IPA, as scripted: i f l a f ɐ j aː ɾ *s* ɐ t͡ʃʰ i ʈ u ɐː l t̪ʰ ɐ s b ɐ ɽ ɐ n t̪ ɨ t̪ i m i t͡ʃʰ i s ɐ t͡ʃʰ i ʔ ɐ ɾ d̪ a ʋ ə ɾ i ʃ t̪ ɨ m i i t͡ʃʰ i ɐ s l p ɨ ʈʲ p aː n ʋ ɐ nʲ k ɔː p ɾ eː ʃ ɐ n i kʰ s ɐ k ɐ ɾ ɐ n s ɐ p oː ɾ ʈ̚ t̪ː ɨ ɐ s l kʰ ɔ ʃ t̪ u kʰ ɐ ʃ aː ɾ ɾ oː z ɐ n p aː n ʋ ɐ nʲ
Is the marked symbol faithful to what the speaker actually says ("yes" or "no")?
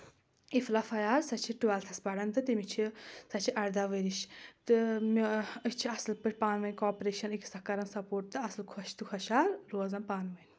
yes